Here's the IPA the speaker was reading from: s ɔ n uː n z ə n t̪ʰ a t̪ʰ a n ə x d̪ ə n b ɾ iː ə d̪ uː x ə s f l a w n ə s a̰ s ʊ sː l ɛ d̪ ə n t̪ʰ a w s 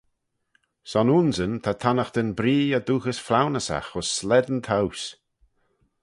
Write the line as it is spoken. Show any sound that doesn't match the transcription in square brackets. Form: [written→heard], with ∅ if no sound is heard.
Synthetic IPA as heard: s ɔ n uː n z ə n t̪ʰ a t̪ʰ a n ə x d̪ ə n b ɾ iː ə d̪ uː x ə s f l a w n ə s a̰ [s→x] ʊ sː l ɛ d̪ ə n t̪ʰ a w s